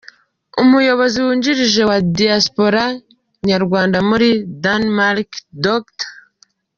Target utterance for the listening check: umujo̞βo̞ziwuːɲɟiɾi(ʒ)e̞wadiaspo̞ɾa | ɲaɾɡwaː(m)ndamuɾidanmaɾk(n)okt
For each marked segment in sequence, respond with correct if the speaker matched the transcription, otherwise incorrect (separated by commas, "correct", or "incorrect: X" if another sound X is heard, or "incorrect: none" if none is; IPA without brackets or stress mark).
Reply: correct, incorrect: none, incorrect: d